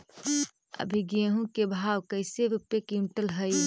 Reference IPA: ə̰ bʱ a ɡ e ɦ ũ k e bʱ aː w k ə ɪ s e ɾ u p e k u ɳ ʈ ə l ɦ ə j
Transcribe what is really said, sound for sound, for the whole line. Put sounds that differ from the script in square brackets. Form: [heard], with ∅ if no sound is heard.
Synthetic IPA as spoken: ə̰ bʱ [i] ɡ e ɦ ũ k e bʱ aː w k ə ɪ s e ɾ u p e k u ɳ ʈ ə l ɦ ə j